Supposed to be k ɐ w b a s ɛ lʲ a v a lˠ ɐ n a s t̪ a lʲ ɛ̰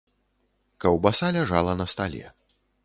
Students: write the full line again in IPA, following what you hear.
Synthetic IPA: k ɐ w b a s a lʲ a ʐ a lˠ ɐ n ɐ s t̪ a lʲ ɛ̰